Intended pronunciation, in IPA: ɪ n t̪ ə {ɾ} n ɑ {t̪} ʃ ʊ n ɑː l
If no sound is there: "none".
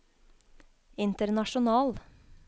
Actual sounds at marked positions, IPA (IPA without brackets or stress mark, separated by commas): ɾ, none